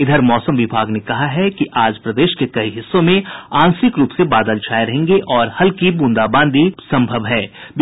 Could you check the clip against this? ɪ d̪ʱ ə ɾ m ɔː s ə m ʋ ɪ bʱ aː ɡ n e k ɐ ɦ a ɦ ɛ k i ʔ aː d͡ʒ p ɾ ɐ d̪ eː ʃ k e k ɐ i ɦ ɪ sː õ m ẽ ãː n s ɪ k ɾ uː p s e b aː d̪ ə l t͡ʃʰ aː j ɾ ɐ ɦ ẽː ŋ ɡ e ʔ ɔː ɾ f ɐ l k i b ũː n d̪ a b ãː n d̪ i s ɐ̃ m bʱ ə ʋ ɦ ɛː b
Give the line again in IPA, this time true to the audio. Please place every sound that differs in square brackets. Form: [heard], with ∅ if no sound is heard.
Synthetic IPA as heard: ɪ d̪ʱ ə ɾ m ɔː s ə m ʋ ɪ bʱ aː ɡ n e k ɐ ɦ a ɦ ɛ k i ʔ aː d͡ʒ p ɾ ɐ d̪ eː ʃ k e k ɐ i ɦ ɪ sː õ m ẽ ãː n s ɪ k ɾ uː p s e b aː d̪ ə l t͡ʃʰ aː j ɾ ɐ ɦ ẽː ŋ ɡ e ʔ ɔː ɾ [h] ɐ l k i b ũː n d̪ a b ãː n d̪ i s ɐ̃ m bʱ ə ʋ ɦ ɛː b

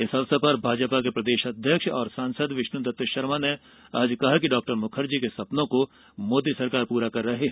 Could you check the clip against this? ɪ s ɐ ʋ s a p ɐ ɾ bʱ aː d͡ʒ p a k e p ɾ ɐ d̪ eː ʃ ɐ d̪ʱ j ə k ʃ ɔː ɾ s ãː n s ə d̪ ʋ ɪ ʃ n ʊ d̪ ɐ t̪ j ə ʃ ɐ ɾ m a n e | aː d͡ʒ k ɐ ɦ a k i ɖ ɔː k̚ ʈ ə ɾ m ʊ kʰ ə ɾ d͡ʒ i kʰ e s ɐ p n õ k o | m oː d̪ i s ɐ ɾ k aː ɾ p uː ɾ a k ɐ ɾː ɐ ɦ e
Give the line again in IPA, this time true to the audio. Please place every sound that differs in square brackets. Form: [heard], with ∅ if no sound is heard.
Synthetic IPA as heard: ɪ s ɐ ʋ s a p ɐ ɾ bʱ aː d͡ʒ p a k e p ɾ ɐ d̪ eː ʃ ɐ d̪ʱ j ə k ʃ ɔː ɾ s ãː n s ə d̪ ʋ ɪ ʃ n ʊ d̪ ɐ t̪ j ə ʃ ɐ ɾ m a n e | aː d͡ʒ k ɐ ɦ a k i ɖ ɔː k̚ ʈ ə ɾ m ʊ kʰ ə ɾ d͡ʒ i [k] e s ɐ p n õ k o | m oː d̪ i s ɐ ɾ k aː ɾ p uː ɾ a k ɐ ɾː ɐ ɦ e

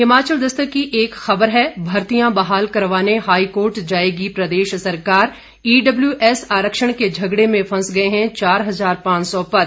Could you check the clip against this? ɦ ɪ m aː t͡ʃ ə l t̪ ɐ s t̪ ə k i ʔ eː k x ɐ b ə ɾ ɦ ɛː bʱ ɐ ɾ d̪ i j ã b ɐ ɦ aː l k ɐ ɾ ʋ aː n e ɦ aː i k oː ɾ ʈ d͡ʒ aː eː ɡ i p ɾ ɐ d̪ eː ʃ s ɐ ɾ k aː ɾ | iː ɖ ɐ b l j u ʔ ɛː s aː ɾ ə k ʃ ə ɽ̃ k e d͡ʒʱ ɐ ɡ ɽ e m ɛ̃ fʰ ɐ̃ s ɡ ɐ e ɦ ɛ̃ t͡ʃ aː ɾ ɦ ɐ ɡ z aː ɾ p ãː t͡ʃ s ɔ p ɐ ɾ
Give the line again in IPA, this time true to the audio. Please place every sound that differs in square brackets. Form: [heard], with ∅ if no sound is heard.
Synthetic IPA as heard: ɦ ɪ m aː t͡ʃ ə l [d̪] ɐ s t̪ ə k i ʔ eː k x ɐ b ə ɾ ɦ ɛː bʱ ɐ ɾ [t̪] i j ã b ɐ ɦ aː l k ɐ ɾ ʋ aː n e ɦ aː i k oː ɾ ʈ d͡ʒ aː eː ɡ i p ɾ ɐ d̪ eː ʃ s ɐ ɾ k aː ɾ | iː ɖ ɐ b l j u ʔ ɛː s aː ɾ ə k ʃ ə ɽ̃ k e d͡ʒʱ ɐ ɡ ɽ e m [ẽ] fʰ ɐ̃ s ɡ ɐ e ɦ ɛ̃ t͡ʃ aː ɾ ɦ ɐ [∅] z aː ɾ p ãː t͡ʃ s ɔ p ɐ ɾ

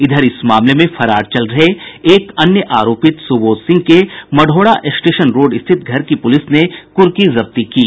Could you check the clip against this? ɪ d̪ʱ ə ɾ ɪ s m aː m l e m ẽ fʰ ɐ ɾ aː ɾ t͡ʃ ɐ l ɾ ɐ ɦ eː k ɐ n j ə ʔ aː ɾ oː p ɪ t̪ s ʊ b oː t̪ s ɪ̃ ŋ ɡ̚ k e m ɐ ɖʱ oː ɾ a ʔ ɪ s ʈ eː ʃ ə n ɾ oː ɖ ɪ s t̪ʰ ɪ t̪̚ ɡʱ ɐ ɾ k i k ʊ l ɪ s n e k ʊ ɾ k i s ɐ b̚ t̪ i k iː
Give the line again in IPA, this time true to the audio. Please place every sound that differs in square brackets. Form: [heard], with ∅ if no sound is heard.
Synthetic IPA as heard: ɪ d̪ʱ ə ɾ ɪ s m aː m l e m ẽ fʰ ɐ ɾ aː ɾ t͡ʃ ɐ l ɾ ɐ ɦ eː k ɐ n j ə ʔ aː ɾ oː p ɪ t̪ s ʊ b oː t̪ s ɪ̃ ŋ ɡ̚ k e m ɐ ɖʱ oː [ɽ] a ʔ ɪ s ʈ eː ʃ ə n ɾ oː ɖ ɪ s t̪ʰ ɪ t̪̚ ɡʱ ɐ ɾ k i [p] ʊ l ɪ s n e k ʊ ɾ k i [z] ɐ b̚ t̪ i k iː

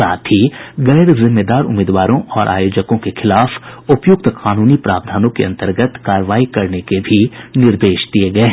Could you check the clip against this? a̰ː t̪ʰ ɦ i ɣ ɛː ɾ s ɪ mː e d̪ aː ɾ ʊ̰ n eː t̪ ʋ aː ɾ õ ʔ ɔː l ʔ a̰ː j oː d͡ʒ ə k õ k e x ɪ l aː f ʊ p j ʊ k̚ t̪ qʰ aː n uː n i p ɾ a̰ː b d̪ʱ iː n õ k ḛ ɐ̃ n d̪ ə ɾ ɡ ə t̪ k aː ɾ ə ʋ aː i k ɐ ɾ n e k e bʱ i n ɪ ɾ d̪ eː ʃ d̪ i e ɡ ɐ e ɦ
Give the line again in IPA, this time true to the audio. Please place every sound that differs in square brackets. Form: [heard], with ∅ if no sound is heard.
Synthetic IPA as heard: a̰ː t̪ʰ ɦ i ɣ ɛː ɾ [z] ɪ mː e d̪ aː ɾ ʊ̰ [m] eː [d̪] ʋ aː ɾ õ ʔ ɔː [ɾ] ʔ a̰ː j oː d͡ʒ ə k õ k e x ɪ l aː f ʊ p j ʊ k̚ t̪ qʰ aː n uː n i p ɾ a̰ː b d̪ʱ [aː] n õ k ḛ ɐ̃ n [t̪] ə ɾ ɡ ə t̪ k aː ɾ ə ʋ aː i k ɐ ɾ n e k e bʱ i n ɪ ɾ d̪ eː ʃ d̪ i e ɡ ɐ e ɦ

